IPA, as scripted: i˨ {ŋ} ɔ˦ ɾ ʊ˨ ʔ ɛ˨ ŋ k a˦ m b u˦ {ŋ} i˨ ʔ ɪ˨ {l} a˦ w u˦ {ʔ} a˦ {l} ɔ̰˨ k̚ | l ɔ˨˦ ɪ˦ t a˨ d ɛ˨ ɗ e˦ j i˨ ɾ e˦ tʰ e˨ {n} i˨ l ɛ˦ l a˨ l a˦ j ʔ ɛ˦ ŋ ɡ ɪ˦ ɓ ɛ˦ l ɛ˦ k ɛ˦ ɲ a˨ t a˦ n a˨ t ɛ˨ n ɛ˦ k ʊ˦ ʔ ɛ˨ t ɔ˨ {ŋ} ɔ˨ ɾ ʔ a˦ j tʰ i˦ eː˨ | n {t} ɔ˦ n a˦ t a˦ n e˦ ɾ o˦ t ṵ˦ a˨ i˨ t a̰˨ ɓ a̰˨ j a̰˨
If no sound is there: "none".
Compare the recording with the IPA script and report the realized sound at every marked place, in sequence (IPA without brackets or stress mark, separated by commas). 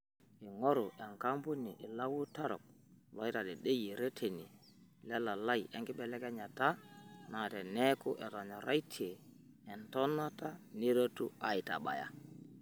ŋ, n, l, t, ɾ, n, ɲ, t